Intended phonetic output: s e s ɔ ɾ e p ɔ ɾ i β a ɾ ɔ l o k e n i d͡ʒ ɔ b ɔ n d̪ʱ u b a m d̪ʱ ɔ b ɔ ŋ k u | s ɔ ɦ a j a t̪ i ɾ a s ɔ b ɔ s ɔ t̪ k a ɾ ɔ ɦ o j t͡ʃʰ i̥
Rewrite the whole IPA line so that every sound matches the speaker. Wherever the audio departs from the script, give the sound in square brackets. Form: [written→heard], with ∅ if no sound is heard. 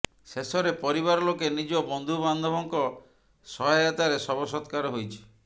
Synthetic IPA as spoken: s e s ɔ ɾ e p ɔ ɾ i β a ɾ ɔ l o k e n i d͡ʒ ɔ b ɔ n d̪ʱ u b a [m→n] d̪ʱ ɔ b ɔ ŋ k [u→ɔ] | s ɔ ɦ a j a t̪ [i→a] ɾ [a→e] s ɔ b ɔ s ɔ t̪ k a ɾ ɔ ɦ o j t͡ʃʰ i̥